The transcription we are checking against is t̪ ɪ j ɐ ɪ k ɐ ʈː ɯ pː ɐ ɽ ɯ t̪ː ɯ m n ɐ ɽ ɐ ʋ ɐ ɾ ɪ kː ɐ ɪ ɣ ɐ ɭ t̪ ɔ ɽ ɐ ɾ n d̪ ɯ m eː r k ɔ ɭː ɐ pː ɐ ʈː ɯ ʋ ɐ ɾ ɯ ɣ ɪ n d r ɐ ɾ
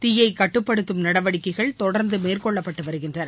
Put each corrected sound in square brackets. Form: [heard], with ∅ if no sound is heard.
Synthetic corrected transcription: t̪ ɪ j ɐ ɪ k ɐ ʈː ɯ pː ɐ ɽ ɯ t̪ː ɯ m n ɐ ɽ ɐ ʋ ɐ [ɽ] ɪ kː ɐ ɪ ɣ ɐ ɭ t̪ ɔ ɽ ɐ ɾ n d̪ ɯ m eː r k ɔ ɭː ɐ pː ɐ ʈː ɯ ʋ ɐ ɾ ɯ ɣ ɪ n d r ɐ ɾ

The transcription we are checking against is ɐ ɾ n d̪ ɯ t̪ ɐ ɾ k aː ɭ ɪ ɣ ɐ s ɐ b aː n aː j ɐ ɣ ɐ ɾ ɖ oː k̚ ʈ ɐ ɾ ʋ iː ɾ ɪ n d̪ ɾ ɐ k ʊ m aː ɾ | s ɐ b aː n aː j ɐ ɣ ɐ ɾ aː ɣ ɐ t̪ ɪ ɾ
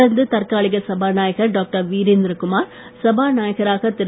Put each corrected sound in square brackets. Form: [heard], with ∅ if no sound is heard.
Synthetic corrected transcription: ɐ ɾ n d̪ ɯ t̪ ɐ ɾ k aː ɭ ɪ ɣ ɐ s ɐ b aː n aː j ɐ ɣ ɐ ɾ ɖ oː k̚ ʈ ɐ ɾ ʋ iː ɾ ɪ n d̪ ɾ ɐ k ʊ m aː ɾ | s ɐ b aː n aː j ɐ ɣ ɐ ɾ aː ɣ ɐ t̪ ɪ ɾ

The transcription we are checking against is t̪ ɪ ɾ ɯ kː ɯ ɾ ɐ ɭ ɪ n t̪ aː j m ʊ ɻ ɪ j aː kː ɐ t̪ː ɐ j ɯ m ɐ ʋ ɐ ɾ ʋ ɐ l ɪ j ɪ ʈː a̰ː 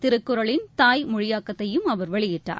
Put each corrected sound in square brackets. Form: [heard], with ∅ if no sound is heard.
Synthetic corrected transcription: t̪ ɪ ɾ ɯ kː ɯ ɾ ɐ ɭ ɪ n t̪ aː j m ʊ ɻ ɪ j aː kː ɐ t̪ː ɐ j ɯ m ɐ ʋ ɐ ɾ ʋ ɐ [ɭ] ɪ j ɪ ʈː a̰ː

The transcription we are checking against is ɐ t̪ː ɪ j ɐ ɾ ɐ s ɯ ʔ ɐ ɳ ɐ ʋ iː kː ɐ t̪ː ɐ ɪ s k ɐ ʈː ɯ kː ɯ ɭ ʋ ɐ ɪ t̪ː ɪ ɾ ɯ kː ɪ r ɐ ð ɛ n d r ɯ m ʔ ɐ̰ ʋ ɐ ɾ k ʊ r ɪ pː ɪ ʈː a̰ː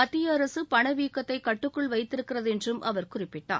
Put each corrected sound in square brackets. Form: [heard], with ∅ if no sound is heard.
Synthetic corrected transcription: ɐ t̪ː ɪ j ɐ ɾ ɐ s ɯ [p] ɐ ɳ ɐ ʋ iː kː ɐ t̪ː ɐ ɪ [∅] k ɐ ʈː ɯ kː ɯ ɭ ʋ ɐ ɪ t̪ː ɪ ɾ ɯ kː ɪ r ɐ ð ɛ n d r ɯ m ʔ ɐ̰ ʋ ɐ ɾ k ʊ r ɪ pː ɪ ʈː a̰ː

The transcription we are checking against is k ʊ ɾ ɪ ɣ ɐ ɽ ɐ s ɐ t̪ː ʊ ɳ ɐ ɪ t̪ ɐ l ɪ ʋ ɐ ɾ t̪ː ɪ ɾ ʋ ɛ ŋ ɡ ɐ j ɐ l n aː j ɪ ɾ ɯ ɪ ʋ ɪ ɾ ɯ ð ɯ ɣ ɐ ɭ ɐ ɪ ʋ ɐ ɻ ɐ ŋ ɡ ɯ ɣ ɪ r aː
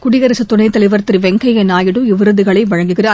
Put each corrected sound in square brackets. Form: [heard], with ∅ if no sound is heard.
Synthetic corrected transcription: k ʊ [ɽ] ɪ ɣ ɐ [ɾ] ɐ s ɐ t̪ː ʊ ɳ ɐ ɪ t̪ ɐ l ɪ ʋ ɐ ɾ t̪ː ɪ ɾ ʋ ɛ ŋ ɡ ɐ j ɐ [∅] n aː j ɪ [ɽ] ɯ ɪ ʋ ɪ ɾ ɯ ð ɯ ɣ ɐ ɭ ɐ ɪ ʋ ɐ ɻ ɐ ŋ ɡ ɯ ɣ ɪ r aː

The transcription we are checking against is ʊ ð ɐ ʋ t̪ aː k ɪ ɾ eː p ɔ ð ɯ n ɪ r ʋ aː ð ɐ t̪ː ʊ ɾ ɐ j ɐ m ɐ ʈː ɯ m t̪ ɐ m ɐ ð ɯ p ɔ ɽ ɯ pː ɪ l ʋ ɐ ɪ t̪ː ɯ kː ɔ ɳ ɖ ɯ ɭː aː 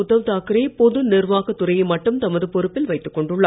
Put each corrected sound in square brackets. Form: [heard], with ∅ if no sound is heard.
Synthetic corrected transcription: ʊ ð ɐ ʋ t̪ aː k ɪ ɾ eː p ɔ ð ɯ n ɪ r ʋ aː [ɣ] ɐ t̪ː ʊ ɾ ɐ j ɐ m ɐ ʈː ɯ m t̪ ɐ m ɐ ð ɯ p ɔ [ɾ] ɯ pː ɪ l ʋ ɐ ɪ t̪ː ɯ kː ɔ ɳ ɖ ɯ ɭː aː

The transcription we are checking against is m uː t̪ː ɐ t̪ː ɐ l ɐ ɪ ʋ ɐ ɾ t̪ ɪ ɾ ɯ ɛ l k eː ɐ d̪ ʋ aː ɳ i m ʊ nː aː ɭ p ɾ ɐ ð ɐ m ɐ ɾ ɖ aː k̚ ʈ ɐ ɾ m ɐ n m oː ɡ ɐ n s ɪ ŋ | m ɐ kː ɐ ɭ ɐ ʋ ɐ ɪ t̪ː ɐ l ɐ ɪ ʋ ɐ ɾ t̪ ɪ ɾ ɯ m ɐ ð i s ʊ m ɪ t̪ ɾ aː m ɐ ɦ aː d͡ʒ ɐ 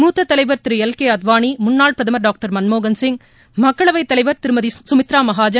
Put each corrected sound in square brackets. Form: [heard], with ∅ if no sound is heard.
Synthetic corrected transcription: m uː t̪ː ɐ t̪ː ɐ l ɐ ɪ ʋ ɐ ɾ t̪ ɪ ɾ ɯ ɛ l k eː ɐ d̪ ʋ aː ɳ i m ʊ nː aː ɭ p ɾ ɐ ð ɐ m ɐ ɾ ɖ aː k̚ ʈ ɐ ɾ m ɐ n m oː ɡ ɐ n s ɪ ŋ | m ɐ kː ɐ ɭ ɐ ʋ ɐ ɪ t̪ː ɐ l ɐ ɪ ʋ ɐ ɾ t̪ ɪ ɾ ɯ m ɐ ð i s ʊ m ɪ t̪ ɾ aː m ɐ ɦ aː d͡ʒ ɐ

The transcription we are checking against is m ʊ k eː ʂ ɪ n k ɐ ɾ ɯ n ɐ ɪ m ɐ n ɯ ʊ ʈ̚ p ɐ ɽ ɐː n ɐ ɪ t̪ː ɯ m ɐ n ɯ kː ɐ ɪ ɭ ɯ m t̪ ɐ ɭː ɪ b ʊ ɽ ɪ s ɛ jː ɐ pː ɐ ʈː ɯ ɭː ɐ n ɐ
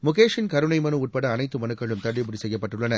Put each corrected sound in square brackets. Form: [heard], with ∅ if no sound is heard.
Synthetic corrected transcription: m ʊ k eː ʂ ɪ n k ɐ ɾ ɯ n ɐ ɪ m ɐ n ɯ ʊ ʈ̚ p ɐ ɽ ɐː n ɐ ɪ t̪ː ɯ m ɐ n ɯ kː ɐ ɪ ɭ ɯ m t̪ ɐ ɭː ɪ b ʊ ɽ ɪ s ɛ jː ɐ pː ɐ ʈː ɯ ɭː ɐ n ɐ

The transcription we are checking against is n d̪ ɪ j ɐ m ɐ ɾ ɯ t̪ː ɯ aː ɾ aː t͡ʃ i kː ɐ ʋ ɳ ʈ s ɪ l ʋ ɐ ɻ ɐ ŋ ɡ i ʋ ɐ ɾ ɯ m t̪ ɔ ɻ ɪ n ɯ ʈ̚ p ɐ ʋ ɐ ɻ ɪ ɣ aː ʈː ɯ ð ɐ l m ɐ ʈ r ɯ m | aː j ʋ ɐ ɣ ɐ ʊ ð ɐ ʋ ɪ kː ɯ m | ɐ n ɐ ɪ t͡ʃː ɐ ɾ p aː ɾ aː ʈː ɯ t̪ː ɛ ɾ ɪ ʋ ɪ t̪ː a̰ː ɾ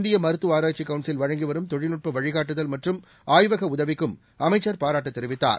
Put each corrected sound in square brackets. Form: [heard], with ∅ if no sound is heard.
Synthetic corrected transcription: n d̪ ɪ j ɐ m ɐ ɾ ɯ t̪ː ɯ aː ɾ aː t͡ʃ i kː ɐ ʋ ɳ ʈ s ɪ l ʋ ɐ ɻ ɐ ŋ ɡ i ʋ ɐ ɾ ɯ m t̪ ɔ ɻ ɪ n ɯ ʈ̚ p ɐ ʋ ɐ ɻ ɪ ɣ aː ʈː ɯ ð ɐ l m ɐ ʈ r ɯ m | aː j ʋ ɐ ɣ ɐ ʊ ð ɐ ʋ ɪ kː ɯ m | ɐ [m] ɐ ɪ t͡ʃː ɐ ɾ p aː ɾ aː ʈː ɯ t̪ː ɛ ɾ ɪ ʋ ɪ t̪ː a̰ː ɾ

